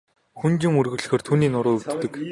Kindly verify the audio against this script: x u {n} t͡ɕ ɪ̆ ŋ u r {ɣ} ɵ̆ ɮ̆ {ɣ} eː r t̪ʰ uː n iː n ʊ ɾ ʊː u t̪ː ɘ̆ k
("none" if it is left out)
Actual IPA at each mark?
n, ɣ, x

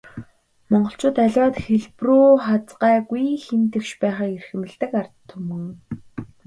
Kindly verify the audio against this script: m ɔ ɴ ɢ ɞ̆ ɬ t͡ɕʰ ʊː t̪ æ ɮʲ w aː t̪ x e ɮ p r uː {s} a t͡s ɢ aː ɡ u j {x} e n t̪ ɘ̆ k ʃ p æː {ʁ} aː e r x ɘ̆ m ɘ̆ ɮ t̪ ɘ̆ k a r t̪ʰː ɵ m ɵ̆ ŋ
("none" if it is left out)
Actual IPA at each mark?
χ, x, χ

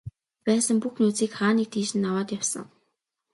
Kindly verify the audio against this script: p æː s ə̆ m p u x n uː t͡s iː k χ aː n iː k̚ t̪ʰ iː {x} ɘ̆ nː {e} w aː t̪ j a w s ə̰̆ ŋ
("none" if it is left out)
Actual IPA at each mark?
ʃ, a

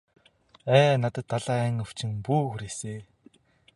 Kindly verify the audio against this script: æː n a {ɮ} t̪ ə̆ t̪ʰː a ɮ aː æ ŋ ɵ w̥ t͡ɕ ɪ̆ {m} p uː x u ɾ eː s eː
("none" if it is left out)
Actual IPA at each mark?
none, ŋ

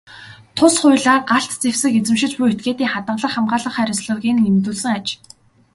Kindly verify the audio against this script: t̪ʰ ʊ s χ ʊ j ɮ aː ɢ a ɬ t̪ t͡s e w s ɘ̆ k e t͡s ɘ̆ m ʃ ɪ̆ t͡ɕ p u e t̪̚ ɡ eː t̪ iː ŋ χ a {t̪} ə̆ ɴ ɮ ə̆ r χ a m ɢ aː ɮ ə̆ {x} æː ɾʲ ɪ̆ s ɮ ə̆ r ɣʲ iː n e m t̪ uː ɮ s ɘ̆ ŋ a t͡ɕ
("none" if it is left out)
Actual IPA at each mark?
t̪, χ

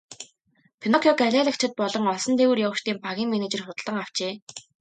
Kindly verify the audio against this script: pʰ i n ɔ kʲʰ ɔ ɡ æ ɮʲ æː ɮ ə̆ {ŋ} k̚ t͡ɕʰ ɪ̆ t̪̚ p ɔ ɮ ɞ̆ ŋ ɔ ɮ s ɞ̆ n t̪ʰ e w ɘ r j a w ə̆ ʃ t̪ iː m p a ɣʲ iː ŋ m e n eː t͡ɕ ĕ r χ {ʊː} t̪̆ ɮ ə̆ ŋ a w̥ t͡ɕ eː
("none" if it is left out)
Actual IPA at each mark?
none, ʊ

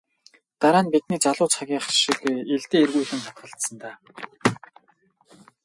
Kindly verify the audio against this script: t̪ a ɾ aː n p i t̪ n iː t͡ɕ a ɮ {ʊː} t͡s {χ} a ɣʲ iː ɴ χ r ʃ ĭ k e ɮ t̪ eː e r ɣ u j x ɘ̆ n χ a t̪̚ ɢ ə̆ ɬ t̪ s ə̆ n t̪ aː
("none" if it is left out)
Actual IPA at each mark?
ʊː, χ

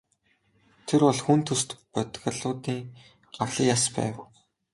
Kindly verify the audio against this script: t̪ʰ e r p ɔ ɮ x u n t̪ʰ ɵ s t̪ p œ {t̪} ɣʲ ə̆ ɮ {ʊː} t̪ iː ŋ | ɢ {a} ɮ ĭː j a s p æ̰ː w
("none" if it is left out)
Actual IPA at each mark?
t̪, ʊː, a

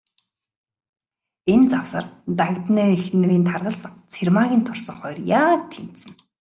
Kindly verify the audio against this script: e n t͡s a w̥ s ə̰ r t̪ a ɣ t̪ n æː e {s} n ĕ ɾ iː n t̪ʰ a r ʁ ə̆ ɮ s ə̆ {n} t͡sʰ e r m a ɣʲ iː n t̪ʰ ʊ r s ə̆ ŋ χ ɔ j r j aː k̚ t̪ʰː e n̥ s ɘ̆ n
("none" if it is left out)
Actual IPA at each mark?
x, ŋ

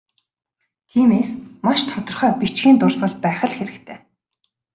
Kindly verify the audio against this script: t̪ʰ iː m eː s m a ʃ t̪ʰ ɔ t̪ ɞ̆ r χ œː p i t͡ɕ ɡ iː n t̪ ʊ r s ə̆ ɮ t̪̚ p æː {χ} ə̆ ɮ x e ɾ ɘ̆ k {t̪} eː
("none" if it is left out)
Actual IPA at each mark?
χ, t̪ʰ

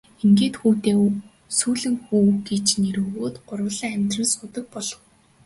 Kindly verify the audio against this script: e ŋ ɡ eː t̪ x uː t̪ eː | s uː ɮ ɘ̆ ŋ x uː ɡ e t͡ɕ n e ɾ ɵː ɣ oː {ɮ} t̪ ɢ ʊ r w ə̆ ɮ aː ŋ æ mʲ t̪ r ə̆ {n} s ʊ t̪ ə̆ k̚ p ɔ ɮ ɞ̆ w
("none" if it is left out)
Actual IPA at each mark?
none, n

